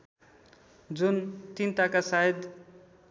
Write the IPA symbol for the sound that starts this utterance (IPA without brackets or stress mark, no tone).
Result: d͡z